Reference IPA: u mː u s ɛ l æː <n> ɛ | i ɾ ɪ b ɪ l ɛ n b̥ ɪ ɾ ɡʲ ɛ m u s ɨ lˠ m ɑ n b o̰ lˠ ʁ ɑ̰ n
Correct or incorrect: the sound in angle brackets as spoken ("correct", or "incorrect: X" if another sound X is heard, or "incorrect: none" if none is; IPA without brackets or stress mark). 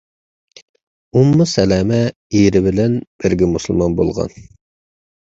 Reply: incorrect: m